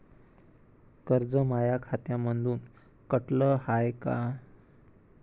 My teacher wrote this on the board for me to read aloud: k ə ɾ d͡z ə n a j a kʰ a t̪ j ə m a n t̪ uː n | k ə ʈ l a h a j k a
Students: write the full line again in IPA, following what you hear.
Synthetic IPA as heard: k ə ɾ d͡z ə m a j a kʰ a t̪ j a m ə n d̪ uː n | k ə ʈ l ə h a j k a